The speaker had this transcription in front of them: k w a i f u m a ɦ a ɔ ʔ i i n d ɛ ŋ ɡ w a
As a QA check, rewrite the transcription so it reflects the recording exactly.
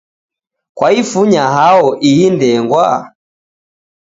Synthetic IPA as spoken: k w a i f u ɲ a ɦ a ɔ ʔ i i n d ɛ ŋ ɡ w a